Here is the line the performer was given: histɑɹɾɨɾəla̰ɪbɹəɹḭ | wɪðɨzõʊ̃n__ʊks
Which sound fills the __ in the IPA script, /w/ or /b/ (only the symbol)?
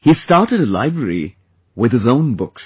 b